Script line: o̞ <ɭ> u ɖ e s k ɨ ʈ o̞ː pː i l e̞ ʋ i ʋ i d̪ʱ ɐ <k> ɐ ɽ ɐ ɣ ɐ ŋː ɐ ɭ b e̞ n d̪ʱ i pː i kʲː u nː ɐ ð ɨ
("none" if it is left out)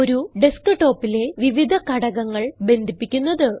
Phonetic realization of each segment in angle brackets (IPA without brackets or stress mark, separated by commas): ɾ, k